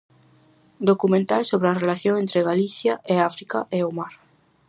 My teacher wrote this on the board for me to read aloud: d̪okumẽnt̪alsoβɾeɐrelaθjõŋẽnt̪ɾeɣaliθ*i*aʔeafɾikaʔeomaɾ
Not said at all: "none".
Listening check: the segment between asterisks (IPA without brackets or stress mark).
j